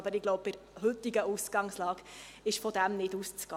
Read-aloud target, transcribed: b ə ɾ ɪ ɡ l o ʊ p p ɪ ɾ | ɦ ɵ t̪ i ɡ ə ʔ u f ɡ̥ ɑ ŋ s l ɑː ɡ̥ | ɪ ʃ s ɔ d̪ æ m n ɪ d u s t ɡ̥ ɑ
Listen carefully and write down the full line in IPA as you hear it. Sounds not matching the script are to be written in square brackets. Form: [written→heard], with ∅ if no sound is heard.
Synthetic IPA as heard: b ə ɾ ɪ ɡ l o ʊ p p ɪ ɾ | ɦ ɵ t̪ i ɡ ə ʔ u [f→s] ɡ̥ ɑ ŋ s l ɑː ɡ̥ | ɪ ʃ [s→f] ɔ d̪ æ m n ɪ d u s [t→t͡s] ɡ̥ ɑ